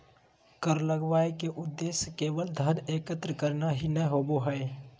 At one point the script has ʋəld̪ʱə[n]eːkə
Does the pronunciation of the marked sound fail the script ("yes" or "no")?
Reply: no